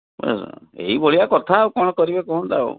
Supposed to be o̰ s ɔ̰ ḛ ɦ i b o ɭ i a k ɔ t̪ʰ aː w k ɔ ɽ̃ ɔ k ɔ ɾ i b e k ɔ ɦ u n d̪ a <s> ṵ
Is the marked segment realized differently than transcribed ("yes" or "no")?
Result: yes